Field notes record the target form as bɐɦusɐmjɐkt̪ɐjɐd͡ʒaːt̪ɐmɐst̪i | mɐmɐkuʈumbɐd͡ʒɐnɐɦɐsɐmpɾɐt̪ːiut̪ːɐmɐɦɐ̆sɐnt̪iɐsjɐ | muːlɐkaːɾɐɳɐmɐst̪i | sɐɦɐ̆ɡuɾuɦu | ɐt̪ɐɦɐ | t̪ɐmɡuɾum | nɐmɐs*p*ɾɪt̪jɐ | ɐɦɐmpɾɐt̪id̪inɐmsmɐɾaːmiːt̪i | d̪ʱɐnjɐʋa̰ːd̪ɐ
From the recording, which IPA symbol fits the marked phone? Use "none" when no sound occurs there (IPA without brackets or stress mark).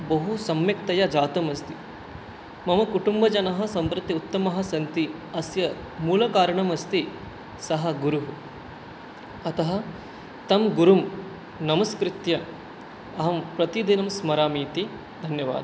k